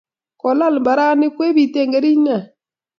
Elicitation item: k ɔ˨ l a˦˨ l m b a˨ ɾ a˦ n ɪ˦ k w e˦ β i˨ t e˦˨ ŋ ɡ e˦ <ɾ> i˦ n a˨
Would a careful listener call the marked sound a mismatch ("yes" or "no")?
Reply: no